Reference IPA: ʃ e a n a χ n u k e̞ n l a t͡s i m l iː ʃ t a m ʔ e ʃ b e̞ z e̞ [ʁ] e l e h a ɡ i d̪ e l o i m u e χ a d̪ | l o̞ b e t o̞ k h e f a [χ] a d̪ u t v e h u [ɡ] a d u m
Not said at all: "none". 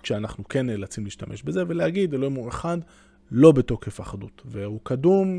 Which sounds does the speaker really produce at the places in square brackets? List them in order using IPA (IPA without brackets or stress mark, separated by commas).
v, χ, k